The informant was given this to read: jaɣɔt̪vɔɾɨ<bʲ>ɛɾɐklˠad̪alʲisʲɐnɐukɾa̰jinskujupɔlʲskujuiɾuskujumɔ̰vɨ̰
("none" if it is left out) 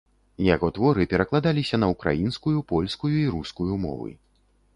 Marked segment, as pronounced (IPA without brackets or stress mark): pʲ